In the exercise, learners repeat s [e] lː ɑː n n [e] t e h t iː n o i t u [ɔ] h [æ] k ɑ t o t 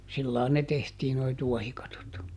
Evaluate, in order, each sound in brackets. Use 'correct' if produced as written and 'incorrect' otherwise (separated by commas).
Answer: incorrect, correct, correct, incorrect